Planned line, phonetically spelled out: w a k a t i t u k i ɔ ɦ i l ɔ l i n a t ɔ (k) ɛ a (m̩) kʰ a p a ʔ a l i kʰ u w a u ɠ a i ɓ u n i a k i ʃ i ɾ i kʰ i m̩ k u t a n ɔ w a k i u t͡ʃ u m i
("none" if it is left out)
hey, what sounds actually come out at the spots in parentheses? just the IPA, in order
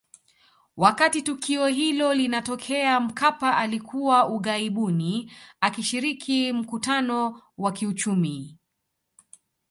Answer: kʰ, m̩

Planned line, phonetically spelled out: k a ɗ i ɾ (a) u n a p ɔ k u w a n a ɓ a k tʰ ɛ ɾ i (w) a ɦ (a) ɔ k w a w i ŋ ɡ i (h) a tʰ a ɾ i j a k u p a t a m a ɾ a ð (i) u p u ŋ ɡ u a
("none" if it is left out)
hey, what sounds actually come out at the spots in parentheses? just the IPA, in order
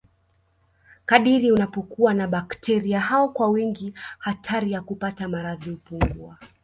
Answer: i, none, a, h, i

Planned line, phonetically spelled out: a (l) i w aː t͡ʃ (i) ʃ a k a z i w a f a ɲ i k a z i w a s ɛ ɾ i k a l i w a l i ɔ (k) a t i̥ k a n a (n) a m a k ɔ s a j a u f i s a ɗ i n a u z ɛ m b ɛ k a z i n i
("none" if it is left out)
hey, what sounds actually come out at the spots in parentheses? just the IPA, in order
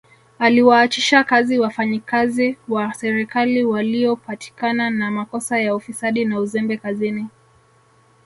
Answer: l, i, p, n

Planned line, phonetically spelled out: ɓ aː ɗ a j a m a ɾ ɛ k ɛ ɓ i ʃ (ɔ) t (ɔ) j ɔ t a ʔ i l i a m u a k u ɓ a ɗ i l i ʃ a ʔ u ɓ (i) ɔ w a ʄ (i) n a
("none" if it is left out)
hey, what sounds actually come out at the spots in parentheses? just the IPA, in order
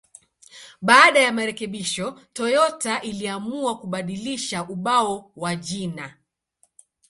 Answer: ɔ, ɔ, a, i

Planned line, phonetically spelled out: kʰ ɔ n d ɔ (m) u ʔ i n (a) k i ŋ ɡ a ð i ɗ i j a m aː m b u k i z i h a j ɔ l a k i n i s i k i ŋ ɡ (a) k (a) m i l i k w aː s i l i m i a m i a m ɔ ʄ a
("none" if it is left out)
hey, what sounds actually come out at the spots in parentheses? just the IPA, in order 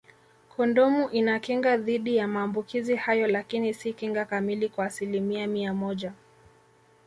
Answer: m, a, a, a

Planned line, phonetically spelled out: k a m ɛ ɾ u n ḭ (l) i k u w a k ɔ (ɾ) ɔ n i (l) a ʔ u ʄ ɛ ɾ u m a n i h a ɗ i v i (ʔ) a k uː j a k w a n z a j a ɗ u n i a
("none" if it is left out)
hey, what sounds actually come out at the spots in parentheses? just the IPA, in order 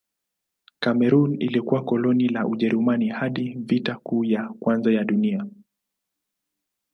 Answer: l, l, l, t

